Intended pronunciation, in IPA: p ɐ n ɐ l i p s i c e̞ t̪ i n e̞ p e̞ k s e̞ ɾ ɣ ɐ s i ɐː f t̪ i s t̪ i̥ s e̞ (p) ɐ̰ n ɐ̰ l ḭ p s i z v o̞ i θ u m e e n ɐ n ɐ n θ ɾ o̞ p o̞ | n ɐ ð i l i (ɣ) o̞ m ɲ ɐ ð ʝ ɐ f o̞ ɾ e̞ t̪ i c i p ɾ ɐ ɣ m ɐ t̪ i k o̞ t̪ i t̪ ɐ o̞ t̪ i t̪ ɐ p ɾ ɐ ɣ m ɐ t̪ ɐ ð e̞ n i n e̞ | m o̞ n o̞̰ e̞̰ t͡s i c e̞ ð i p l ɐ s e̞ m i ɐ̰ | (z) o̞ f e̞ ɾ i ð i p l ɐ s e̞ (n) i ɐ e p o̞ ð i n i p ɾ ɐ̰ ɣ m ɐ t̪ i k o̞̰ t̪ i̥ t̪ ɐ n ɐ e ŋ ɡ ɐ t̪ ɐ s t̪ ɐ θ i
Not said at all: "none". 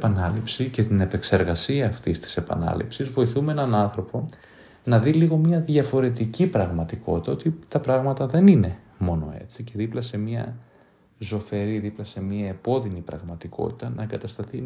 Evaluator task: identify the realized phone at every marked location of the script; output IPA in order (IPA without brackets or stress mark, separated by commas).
p, ɣ, z, m